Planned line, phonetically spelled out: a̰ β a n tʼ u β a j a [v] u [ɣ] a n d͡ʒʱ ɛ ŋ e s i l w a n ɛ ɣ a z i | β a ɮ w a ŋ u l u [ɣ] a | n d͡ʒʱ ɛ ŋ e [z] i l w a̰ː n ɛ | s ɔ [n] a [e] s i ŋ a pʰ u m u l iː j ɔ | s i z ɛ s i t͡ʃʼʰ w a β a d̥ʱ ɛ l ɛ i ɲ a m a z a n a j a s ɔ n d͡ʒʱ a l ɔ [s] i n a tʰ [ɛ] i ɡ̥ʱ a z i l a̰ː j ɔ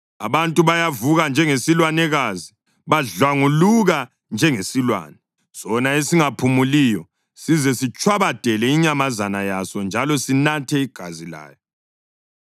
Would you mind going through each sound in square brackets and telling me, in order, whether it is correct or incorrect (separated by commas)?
correct, correct, correct, incorrect, correct, correct, correct, correct